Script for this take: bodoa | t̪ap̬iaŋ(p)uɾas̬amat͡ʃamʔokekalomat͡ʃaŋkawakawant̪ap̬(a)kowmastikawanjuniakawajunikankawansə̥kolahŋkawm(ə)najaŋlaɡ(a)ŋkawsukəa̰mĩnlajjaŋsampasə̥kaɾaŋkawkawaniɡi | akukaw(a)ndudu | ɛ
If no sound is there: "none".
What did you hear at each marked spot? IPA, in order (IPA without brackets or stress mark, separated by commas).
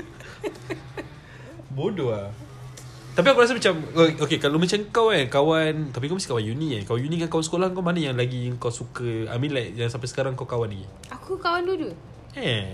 k, i, a, i, a